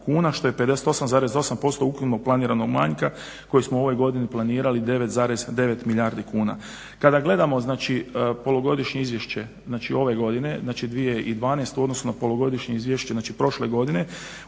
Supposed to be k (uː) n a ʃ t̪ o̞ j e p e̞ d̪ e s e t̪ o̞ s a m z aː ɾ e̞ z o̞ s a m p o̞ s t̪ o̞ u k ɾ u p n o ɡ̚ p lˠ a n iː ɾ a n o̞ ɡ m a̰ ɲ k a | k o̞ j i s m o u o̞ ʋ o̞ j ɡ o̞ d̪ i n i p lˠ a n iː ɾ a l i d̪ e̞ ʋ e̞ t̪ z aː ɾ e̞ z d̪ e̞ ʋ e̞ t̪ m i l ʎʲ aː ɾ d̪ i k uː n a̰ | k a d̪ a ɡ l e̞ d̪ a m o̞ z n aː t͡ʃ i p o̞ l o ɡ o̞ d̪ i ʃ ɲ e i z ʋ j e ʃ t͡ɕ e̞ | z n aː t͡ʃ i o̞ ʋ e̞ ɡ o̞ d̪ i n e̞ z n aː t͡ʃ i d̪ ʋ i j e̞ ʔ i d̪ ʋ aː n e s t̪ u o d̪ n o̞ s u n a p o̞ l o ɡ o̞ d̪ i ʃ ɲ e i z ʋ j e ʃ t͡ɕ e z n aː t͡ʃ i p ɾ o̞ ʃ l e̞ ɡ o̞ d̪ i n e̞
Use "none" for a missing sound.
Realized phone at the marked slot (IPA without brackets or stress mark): uː